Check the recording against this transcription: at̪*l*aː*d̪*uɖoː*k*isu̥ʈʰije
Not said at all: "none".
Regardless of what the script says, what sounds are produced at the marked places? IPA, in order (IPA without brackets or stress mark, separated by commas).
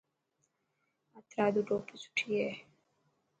ɾ, d̪, p